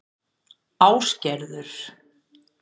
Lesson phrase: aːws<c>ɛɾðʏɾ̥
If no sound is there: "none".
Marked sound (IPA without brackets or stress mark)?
c